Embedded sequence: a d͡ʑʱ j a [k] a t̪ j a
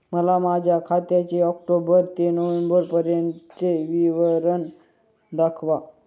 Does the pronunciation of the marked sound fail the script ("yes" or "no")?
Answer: yes